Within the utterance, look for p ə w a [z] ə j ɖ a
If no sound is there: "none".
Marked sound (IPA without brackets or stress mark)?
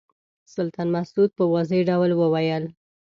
z